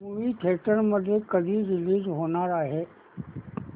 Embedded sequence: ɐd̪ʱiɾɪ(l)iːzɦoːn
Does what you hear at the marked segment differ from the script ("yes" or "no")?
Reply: no